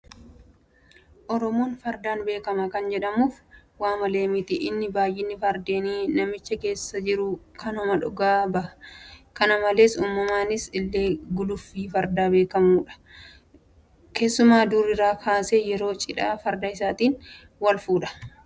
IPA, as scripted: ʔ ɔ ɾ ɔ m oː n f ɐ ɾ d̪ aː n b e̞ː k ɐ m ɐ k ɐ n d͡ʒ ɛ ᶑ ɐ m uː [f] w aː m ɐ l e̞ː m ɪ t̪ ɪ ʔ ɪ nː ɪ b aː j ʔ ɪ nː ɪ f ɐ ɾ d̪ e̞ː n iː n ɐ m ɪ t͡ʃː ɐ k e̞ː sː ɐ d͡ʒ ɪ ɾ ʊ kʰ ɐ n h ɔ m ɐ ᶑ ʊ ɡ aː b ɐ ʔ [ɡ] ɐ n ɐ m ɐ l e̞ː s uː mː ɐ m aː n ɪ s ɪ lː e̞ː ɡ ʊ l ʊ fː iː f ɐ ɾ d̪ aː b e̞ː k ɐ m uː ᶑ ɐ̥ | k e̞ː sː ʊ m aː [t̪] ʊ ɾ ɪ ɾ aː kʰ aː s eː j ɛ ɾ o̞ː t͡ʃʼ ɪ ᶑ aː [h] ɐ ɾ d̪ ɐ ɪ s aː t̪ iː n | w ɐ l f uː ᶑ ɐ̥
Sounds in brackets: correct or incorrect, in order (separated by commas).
correct, incorrect, incorrect, incorrect